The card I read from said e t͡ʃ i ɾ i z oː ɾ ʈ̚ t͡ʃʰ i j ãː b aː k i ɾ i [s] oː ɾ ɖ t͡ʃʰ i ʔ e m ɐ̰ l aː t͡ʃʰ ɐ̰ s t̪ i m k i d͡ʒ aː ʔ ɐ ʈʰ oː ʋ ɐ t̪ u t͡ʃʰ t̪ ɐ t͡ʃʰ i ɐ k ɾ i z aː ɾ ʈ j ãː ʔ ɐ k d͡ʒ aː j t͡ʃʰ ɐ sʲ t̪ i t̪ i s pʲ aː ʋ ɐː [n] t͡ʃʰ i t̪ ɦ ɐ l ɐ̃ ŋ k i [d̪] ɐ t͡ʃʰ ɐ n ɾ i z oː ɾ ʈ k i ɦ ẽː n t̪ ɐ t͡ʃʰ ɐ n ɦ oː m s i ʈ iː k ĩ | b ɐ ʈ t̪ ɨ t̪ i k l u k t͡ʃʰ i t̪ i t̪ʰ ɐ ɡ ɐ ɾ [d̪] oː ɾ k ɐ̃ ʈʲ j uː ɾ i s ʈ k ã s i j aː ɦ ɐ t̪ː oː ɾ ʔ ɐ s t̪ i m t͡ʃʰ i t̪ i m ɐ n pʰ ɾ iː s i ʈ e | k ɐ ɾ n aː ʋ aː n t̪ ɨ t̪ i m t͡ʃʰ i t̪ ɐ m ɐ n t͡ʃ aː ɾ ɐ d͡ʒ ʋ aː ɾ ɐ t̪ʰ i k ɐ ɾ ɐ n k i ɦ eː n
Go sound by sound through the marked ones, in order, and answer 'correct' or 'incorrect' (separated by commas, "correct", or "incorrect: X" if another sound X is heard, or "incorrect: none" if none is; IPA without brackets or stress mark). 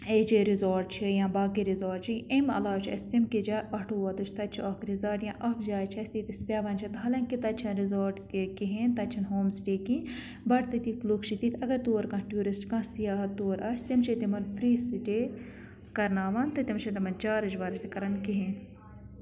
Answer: incorrect: z, correct, incorrect: t̪, incorrect: t̪